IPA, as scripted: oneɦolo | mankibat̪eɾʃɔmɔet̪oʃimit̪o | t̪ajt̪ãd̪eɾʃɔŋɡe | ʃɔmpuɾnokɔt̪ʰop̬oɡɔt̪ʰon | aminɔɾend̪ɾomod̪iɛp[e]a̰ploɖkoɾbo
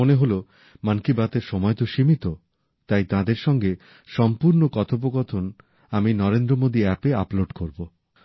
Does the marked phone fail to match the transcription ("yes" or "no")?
no